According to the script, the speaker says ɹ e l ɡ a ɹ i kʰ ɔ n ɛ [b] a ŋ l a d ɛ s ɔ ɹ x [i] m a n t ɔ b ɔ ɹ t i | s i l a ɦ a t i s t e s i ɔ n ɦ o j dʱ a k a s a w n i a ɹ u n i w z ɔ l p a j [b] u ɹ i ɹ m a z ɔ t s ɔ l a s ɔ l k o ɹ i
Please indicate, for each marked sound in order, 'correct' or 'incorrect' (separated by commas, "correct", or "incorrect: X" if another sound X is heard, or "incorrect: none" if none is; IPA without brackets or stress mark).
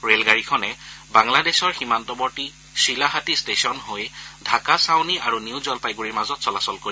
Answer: correct, correct, incorrect: ɡ